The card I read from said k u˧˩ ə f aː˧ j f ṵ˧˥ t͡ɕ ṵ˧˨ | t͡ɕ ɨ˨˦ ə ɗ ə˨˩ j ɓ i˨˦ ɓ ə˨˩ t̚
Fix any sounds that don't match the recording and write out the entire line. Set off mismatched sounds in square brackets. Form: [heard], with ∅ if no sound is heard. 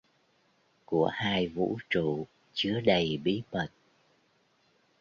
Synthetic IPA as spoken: k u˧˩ ə [h] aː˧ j [v] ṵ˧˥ t͡ɕ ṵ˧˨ | t͡ɕ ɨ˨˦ ə ɗ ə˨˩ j ɓ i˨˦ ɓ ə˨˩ t̚